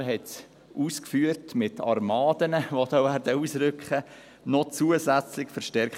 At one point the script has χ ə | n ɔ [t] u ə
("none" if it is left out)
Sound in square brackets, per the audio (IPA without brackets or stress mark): t͡s